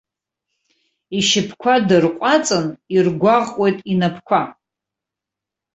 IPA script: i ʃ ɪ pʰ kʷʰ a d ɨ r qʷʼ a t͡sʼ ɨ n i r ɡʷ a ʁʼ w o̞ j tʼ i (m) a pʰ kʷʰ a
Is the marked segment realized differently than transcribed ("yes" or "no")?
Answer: yes